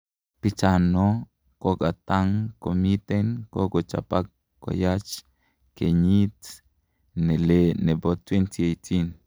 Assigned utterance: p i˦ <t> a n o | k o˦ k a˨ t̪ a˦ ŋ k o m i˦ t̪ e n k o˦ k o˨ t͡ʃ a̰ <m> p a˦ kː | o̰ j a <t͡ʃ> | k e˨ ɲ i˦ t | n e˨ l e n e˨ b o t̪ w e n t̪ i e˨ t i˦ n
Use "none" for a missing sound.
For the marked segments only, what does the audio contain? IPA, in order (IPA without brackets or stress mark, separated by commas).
t͡ʃ, none, t͡ʃ